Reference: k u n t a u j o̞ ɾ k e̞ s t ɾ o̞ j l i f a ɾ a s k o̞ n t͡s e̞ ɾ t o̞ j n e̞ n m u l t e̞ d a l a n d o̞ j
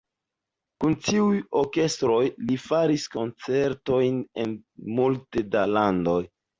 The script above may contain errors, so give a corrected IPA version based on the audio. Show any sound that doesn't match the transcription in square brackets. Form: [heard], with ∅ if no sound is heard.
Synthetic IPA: k u n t [i] u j o̞ ɾ k e̞ s t ɾ o̞ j l i f a ɾ [i] s k o̞ n t͡s e̞ ɾ t o̞ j n e̞ n m u l t e̞ d a l a n d o̞ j